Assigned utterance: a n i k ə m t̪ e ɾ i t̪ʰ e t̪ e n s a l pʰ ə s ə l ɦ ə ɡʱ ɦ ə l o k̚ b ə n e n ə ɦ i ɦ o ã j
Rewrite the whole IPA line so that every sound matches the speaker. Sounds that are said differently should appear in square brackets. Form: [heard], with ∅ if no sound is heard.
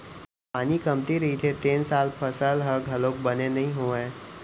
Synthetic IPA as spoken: a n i k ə m t̪ [i] ɾ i t̪ʰ e t̪ e n s a l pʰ ə s ə l ɦ ə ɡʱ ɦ ə l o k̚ b ə n e n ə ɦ i ɦ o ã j